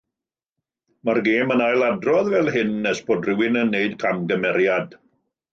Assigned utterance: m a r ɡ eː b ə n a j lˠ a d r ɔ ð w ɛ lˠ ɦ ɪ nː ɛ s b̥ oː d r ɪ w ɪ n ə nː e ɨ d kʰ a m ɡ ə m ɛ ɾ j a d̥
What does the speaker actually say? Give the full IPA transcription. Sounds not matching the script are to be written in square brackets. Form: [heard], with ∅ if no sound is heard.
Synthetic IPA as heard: m a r ɡ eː [m] ə n a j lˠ a d r ɔ ð [v] ɛ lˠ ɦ ɪ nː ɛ s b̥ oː d r ɪ w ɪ n ə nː e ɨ d kʰ a m ɡ ə m ɛ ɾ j a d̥